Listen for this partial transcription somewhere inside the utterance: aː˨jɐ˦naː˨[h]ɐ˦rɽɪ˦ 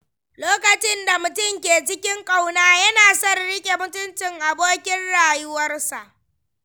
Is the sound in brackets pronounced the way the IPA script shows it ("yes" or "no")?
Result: no